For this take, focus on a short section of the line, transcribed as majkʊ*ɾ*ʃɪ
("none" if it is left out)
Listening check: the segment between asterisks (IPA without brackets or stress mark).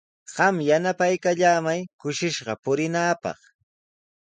none